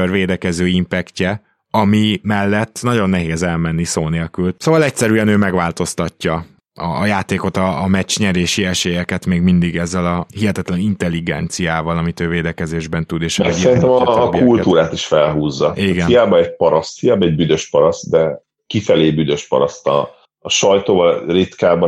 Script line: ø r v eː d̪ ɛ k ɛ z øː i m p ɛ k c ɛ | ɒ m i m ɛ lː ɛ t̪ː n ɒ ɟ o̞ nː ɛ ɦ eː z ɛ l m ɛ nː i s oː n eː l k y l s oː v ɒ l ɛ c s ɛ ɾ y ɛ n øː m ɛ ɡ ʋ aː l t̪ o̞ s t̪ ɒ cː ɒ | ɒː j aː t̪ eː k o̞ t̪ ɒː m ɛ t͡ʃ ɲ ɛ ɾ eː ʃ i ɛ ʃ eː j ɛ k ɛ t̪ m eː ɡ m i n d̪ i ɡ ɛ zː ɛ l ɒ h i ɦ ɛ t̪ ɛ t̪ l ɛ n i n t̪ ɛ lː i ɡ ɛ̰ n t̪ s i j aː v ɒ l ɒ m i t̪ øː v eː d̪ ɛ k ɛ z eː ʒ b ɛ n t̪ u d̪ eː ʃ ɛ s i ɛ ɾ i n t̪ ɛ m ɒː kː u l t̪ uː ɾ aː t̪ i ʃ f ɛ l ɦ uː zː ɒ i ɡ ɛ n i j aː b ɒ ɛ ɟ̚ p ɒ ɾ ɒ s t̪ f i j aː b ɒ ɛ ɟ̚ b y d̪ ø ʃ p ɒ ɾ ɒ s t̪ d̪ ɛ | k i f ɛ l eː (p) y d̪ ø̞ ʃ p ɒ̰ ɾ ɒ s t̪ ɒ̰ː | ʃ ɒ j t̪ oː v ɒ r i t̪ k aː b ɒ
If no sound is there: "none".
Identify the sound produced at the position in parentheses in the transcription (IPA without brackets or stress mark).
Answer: b